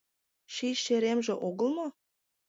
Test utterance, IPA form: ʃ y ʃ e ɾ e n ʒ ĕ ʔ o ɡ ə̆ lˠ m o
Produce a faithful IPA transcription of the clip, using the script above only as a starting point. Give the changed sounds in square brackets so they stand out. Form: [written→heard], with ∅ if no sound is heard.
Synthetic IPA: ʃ [y→i] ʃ e ɾ e [n→m] ʒ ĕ ʔ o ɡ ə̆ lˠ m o